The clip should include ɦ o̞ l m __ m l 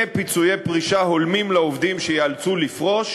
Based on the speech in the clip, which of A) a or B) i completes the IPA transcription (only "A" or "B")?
B